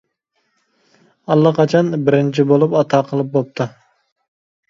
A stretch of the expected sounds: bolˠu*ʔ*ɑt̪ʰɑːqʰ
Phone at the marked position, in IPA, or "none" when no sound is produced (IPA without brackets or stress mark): p